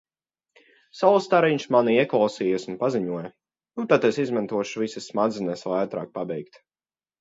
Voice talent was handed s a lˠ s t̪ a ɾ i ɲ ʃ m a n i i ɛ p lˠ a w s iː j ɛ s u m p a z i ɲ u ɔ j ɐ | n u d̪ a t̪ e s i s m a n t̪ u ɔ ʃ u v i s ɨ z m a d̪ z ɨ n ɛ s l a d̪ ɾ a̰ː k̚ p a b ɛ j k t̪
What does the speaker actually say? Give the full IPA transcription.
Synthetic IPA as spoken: s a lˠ s t̪ a ɾ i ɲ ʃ m a n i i ɛ k lˠ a w s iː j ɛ s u n p a z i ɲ u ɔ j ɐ | n u t̪ a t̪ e s i z m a n t̪ u ɔ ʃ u v i s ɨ s m a d̪ z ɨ n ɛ s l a t̪ ɾ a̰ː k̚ p a b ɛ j k t̪